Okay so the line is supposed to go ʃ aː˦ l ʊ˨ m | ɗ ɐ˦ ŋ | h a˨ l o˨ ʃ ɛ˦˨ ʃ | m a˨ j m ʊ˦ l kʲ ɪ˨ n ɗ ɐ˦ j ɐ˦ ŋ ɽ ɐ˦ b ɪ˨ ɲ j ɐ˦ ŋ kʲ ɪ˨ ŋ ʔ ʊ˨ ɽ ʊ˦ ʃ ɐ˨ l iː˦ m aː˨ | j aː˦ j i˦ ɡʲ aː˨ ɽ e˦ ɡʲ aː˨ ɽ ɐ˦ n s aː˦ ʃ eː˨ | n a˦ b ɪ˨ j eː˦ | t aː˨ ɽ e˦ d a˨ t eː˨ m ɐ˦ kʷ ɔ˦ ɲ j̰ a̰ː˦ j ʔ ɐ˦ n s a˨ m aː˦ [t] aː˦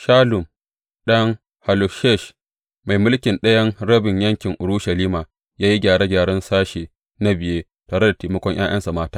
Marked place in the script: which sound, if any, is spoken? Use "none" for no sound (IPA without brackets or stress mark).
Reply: t